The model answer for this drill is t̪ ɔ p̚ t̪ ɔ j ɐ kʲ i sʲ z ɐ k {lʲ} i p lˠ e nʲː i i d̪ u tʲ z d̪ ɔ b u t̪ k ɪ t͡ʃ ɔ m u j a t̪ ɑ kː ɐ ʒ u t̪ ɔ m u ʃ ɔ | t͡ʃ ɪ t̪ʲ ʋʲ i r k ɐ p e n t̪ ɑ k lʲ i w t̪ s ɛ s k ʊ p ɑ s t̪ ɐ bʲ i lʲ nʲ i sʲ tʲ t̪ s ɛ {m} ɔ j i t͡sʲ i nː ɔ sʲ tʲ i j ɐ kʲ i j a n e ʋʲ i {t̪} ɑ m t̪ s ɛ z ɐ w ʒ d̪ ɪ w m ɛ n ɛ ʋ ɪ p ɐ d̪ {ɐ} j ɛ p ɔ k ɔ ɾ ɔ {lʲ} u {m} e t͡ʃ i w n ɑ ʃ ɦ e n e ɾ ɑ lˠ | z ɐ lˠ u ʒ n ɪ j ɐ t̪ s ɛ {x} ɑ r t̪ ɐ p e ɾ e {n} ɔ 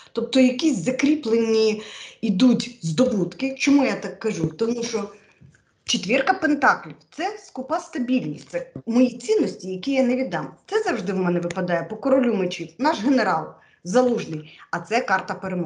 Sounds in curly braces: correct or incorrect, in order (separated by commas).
incorrect, correct, incorrect, incorrect, correct, correct, incorrect, incorrect